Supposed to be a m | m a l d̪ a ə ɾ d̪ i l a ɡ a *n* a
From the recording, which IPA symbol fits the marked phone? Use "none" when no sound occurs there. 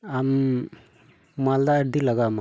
m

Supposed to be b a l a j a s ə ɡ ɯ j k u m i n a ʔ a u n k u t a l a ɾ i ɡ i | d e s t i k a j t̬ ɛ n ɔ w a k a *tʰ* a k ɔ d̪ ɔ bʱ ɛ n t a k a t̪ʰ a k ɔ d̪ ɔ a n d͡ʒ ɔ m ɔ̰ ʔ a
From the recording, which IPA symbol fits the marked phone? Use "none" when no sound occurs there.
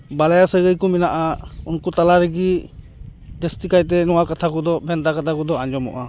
tʰ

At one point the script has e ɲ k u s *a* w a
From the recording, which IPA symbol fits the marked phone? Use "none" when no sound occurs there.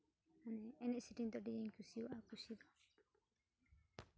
i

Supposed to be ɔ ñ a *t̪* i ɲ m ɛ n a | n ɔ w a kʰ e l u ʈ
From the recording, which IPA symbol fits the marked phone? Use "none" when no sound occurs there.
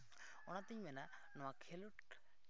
t̪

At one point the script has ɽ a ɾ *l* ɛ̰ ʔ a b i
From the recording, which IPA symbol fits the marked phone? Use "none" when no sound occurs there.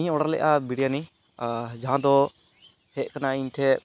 l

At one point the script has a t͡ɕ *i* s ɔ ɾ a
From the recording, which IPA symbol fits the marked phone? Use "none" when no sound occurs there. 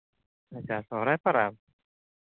a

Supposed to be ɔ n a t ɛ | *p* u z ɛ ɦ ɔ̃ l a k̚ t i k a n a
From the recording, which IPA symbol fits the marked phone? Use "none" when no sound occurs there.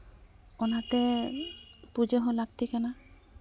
p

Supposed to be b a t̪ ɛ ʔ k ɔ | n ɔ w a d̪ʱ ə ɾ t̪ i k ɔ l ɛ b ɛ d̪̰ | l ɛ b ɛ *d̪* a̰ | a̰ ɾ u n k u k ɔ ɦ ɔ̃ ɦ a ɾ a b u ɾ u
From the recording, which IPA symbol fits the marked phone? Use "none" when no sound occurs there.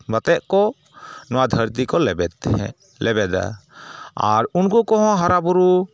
d̪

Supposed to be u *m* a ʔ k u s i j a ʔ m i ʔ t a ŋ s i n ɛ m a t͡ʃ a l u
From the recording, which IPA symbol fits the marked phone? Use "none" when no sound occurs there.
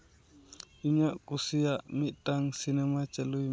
ɲ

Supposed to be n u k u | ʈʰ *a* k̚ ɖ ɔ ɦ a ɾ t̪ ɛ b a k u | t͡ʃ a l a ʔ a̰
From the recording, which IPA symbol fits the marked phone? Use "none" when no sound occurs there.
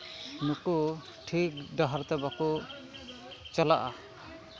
i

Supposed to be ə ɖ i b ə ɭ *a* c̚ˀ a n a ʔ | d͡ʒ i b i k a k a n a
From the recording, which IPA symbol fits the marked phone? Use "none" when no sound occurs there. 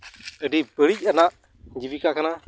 i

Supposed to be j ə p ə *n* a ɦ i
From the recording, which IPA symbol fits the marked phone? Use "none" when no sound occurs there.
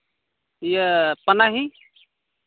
n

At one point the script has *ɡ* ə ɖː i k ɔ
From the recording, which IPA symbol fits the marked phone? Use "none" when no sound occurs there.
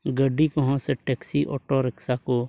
ɡ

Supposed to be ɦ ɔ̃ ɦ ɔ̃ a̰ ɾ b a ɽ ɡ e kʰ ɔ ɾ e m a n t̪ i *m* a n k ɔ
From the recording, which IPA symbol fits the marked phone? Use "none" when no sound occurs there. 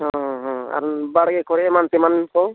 m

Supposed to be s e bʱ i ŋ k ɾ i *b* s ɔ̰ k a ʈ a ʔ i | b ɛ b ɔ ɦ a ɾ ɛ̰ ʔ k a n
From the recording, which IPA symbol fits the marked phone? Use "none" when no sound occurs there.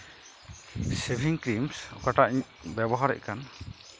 m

